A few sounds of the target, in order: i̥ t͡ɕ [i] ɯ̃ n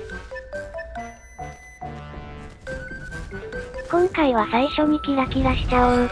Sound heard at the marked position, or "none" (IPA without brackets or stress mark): a